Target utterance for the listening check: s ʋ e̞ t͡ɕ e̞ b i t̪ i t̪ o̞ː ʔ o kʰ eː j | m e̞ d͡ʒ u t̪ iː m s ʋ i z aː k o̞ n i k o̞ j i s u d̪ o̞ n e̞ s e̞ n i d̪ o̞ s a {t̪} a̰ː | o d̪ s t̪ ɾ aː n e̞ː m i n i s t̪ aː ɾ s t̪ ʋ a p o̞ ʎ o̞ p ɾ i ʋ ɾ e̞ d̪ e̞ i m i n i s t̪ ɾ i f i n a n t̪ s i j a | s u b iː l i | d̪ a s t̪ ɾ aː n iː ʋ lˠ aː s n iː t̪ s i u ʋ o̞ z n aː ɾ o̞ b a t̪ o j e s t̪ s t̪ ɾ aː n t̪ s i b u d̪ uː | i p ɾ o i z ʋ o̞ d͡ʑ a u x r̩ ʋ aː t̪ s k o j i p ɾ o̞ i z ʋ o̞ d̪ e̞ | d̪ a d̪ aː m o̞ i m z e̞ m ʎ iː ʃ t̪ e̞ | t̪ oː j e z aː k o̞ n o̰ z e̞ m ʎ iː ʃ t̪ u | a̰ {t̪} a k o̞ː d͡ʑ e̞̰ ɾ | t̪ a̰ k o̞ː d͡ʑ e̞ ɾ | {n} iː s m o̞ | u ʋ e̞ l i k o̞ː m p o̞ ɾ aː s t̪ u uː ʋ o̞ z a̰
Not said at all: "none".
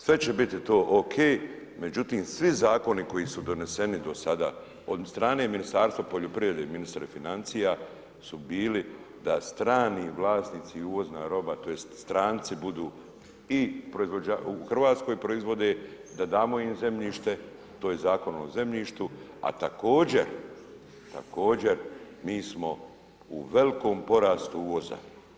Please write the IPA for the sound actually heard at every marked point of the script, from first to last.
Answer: d̪, t̪, m

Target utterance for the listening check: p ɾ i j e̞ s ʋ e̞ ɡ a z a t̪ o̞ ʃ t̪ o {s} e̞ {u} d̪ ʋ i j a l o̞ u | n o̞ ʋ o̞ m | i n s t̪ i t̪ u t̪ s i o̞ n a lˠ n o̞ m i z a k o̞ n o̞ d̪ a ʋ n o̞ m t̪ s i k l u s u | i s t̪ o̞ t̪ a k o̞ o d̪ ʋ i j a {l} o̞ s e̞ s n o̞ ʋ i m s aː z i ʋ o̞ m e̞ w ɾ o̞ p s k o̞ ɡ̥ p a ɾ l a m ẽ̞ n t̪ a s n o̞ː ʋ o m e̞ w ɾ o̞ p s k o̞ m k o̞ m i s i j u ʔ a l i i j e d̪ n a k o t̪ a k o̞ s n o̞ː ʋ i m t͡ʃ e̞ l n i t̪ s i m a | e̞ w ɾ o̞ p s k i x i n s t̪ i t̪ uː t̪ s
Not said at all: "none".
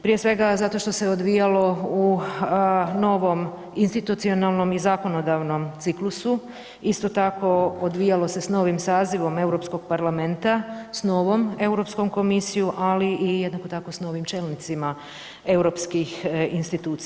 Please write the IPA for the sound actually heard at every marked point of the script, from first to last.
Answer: s, o, l

